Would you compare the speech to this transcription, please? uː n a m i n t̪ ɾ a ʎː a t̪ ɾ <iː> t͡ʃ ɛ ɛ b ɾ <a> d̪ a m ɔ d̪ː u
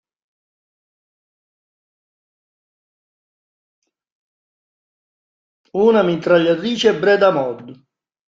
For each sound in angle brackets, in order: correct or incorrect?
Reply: correct, incorrect: ɛ

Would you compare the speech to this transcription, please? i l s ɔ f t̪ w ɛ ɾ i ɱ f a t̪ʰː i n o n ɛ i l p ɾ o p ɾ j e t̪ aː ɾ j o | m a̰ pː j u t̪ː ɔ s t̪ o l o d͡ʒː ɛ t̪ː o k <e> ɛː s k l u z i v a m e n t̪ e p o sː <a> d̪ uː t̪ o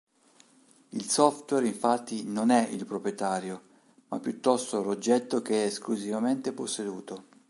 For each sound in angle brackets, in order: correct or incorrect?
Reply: correct, incorrect: e

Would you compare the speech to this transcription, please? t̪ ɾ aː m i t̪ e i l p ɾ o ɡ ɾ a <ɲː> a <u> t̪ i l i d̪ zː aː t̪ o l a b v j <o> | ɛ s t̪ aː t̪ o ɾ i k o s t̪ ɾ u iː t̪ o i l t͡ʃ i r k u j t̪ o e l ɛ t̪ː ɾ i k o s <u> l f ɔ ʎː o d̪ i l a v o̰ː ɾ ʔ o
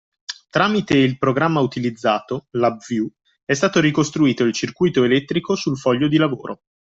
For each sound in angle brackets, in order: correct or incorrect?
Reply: incorrect: mː, correct, incorrect: u, correct

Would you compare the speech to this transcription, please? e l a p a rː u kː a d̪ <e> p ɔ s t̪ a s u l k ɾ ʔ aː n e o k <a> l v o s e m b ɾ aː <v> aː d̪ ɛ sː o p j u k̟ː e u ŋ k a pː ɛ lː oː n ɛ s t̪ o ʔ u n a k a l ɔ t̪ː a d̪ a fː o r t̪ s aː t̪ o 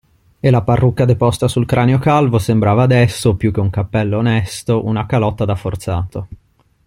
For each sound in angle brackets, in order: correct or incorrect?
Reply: correct, correct, correct

